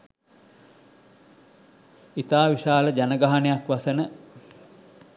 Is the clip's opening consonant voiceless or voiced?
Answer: voiceless